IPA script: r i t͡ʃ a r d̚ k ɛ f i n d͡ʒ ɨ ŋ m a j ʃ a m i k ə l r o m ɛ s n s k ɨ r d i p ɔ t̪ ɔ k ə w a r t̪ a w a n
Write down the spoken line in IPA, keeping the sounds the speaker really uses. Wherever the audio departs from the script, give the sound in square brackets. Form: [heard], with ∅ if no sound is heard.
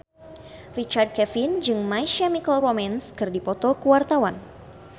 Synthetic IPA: r i t͡ʃ a r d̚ k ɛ f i n d͡ʒ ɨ ŋ m a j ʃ a m i k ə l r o m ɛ [∅] n s k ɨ r d i p ɔ t̪ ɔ k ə w a r t̪ a w a n